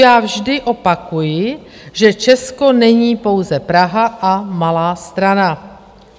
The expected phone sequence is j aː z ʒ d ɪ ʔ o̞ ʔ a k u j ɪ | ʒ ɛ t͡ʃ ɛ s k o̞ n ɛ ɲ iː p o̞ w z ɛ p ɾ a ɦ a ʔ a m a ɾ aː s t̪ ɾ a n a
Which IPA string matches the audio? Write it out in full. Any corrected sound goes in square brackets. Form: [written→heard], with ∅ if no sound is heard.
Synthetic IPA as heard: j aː [z→v] ʒ d ɪ ʔ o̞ [ʔ→p] a k u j ɪ | ʒ ɛ t͡ʃ ɛ s k o̞ n ɛ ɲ iː p o̞ w z ɛ p ɾ a ɦ a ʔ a m a [ɾ→l] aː s t̪ ɾ a n a

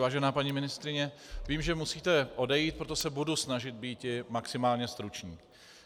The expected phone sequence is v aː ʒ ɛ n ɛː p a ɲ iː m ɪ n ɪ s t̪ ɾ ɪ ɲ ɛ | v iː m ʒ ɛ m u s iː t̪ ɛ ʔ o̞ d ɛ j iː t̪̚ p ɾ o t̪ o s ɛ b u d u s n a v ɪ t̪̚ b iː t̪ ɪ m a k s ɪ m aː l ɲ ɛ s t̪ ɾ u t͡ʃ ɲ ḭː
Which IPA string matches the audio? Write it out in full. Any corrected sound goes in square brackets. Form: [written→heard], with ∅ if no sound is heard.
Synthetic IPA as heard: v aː ʒ ɛ n [ɛː→aː] p a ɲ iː m ɪ n ɪ s t̪ ɾ ɪ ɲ ɛ | v iː m ʒ ɛ m u s iː t̪ ɛ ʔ o̞ d ɛ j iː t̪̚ p ɾ o t̪ o s ɛ b u d u s n a [v→ʒ] ɪ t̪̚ b iː t̪ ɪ m a k s ɪ m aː l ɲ ɛ s t̪ ɾ u t͡ʃ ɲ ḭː

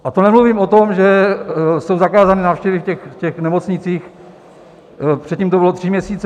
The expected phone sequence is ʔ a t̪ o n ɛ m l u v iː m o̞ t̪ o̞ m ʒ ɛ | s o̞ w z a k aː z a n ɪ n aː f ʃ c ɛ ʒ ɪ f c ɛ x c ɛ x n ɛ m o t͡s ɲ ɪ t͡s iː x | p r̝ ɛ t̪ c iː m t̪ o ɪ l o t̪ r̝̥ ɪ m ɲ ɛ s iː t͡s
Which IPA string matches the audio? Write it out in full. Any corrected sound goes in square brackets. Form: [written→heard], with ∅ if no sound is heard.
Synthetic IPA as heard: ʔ a t̪ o n ɛ m l u v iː m o̞ t̪ o̞ m ʒ ɛ | s o̞ w z a k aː z a n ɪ n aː f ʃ c ɛ [ʒ→v] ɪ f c ɛ x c ɛ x n ɛ m o t͡s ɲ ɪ t͡s iː x | p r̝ ɛ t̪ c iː m t̪ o ɪ l o t̪ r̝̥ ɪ m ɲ ɛ s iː t͡s

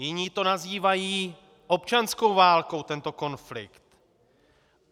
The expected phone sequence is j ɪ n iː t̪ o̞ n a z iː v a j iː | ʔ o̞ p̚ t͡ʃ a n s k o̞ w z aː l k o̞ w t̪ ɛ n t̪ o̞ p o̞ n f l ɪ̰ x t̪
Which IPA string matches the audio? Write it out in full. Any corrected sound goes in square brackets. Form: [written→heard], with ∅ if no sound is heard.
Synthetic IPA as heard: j ɪ [n→ɲ] iː t̪ o̞ n a z iː v a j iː | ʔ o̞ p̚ t͡ʃ a n s k o̞ w [z→v] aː l k o̞ w t̪ ɛ n t̪ o̞ [p→k] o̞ n f l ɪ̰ [x→k] t̪

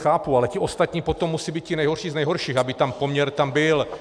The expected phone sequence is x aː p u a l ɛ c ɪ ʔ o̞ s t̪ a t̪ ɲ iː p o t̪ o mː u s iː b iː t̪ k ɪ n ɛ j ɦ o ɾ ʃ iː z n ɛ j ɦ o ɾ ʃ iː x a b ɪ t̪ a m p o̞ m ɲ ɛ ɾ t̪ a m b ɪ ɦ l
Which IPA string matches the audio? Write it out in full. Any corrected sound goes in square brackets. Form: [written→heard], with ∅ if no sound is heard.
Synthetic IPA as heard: x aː p u a l ɛ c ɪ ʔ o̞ s t̪ a t̪ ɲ iː p o t̪ o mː u s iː b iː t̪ [k→c] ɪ n ɛ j ɦ o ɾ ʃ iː z n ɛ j ɦ o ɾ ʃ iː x a b ɪ t̪ a m p o̞ m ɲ ɛ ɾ t̪ a m b ɪ [ɦ→∅] l

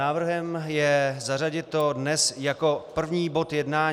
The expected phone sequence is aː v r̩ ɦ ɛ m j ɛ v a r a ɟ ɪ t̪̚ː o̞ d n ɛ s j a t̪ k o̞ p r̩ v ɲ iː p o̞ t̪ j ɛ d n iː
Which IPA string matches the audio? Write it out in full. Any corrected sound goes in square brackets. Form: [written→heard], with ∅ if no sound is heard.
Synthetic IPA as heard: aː v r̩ ɦ ɛ m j ɛ [v→z] a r a ɟ ɪ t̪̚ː o̞ d n ɛ s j a [t̪→∅] k o̞ p r̩ v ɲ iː [p→b] o̞ t̪ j ɛ d n [iː→aː]

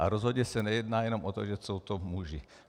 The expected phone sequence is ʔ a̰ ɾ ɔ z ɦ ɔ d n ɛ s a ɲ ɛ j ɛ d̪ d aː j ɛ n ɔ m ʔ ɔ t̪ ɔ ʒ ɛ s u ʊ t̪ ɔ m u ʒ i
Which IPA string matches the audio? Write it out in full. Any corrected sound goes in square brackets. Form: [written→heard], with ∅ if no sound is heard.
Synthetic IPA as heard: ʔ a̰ ɾ ɔ z ɦ ɔ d [n→ɲ] ɛ s a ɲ ɛ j ɛ d̪ [d→n] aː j ɛ n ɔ m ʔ ɔ t̪ ɔ ʒ ɛ s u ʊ t̪ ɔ m u ʒ i

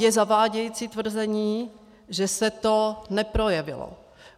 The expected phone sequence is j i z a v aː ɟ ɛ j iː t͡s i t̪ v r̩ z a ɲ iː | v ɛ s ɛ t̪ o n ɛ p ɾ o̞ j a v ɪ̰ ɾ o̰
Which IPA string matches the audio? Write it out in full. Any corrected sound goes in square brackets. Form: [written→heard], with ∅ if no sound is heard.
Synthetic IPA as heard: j [i→ɛ] z a v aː ɟ ɛ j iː t͡s i t̪ v r̩ z [a→ɛ] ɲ iː | [v→ʒ] ɛ s ɛ t̪ o n ɛ p ɾ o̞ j [a→ɛ] v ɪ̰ [ɾ→l] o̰

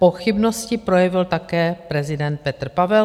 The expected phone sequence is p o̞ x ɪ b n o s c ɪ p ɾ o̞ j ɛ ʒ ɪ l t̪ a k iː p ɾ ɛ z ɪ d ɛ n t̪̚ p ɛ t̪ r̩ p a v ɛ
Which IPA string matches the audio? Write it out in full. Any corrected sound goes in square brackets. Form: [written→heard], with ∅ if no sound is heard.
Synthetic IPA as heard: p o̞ x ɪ b n o s c ɪ p ɾ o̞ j ɛ [ʒ→v] ɪ l t̪ a k [iː→ɛː] p ɾ ɛ z ɪ d ɛ n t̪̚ p ɛ t̪ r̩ p a v ɛ

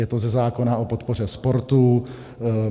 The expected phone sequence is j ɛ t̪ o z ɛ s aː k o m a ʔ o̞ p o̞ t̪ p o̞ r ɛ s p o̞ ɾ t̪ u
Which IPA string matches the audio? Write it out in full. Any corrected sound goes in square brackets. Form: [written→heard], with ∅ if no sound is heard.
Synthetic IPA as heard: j ɛ t̪ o z ɛ [s→z] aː k o [m→n] a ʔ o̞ p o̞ t̪ p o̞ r ɛ s p o̞ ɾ t̪ u

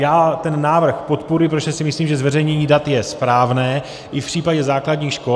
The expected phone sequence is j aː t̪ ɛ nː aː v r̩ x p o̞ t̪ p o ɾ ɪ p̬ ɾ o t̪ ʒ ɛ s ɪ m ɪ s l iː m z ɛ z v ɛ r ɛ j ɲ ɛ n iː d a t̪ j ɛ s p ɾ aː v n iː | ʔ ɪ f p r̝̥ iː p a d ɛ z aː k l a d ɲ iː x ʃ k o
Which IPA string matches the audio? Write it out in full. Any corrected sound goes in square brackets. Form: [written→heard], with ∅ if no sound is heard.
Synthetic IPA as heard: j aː t̪ ɛ nː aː v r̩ x p o̞ t̪ p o ɾ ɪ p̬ ɾ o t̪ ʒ ɛ s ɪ m ɪ s l iː m [z→ʒ] ɛ z v ɛ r ɛ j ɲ ɛ [n→ɲ] iː d a t̪ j ɛ s p ɾ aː v n [iː→ɛː] | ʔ ɪ f p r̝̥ iː p a [d→ɟ] ɛ z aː k l a d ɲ iː x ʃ k o

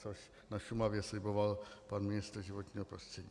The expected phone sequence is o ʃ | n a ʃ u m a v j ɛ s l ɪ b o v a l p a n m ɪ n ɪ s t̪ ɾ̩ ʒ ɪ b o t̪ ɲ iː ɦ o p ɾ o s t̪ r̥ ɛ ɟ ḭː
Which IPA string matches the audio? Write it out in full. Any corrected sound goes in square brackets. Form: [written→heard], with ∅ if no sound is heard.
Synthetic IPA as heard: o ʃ | n a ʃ u m a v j ɛ s l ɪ b o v a l p a n m ɪ n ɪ s t̪ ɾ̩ ʒ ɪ [b→v] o t̪ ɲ iː ɦ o p ɾ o s t̪ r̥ ɛ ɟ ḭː

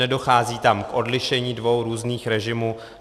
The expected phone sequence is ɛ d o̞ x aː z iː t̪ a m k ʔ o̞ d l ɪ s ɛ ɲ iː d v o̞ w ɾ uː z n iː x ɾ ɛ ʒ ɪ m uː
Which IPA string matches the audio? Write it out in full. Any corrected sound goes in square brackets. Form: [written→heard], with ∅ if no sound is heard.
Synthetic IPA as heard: ɛ d o̞ x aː z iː t̪ a m k ʔ o̞ d l ɪ [s→ʃ] ɛ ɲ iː d v o̞ w ɾ uː z n iː x ɾ ɛ ʒ ɪ m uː

